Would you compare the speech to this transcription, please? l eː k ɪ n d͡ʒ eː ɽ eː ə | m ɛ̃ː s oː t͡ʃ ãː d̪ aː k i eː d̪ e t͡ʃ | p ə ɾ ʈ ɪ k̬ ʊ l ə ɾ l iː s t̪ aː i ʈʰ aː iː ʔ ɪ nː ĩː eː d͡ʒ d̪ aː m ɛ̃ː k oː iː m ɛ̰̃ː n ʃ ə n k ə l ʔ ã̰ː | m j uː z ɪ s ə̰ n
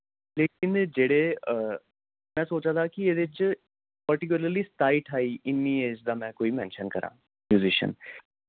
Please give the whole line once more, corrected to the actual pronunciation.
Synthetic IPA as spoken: l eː k ɪ n d͡ʒ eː ɽ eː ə | m ɛ̃ː s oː t͡ʃ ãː d̪ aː k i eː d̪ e t͡ʃ | p ə ɾ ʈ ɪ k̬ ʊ l ə ɾ l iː s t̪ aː i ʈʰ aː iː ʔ ɪ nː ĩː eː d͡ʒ d̪ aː m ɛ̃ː k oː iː m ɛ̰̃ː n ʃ ə n k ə ɾ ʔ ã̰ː | m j uː z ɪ ʃ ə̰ n